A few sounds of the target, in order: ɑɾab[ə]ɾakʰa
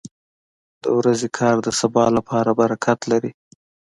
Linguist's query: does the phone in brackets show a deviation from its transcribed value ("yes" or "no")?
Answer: yes